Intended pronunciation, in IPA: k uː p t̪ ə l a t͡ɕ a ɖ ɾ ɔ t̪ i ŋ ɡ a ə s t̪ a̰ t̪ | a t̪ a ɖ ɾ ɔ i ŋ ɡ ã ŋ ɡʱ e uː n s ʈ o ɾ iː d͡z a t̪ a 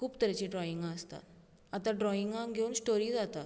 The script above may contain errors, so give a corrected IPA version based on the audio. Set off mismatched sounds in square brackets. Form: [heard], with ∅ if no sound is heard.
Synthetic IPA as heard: k uː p t̪ ə [ɾ] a t͡ɕ [i] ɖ ɾ ɔ [∅] i ŋ ɡ a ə s t̪ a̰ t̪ | a t̪ a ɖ ɾ ɔ i ŋ ɡ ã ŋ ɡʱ e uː n s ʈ o ɾ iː d͡z a t̪ a